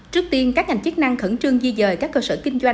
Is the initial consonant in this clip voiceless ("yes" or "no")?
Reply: yes